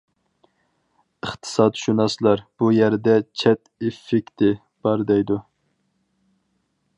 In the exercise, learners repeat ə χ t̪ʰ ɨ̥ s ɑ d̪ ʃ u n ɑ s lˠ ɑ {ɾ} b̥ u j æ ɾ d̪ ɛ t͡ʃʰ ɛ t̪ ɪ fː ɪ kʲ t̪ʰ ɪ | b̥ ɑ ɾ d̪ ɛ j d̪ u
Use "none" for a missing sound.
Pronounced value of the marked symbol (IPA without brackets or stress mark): ɾ